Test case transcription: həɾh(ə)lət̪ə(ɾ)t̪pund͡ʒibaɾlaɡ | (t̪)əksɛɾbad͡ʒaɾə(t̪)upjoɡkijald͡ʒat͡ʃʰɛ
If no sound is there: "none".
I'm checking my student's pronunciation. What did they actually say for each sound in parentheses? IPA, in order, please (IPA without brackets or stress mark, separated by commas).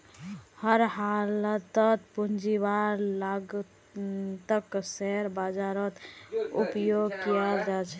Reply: a, none, t̪, t̪